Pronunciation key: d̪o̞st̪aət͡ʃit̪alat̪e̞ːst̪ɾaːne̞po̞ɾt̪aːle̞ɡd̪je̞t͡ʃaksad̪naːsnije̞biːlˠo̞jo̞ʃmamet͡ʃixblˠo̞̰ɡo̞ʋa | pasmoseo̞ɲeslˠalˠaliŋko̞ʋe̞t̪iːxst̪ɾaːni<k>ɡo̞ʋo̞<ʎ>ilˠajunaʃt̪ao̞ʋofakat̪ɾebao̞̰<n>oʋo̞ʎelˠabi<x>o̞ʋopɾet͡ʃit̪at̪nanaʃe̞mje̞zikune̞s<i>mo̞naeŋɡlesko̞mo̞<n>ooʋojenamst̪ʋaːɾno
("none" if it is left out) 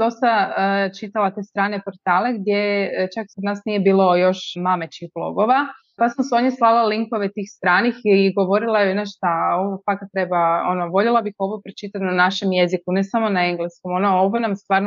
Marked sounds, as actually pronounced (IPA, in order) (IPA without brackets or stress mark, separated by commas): x, ɾ, n, x, a, n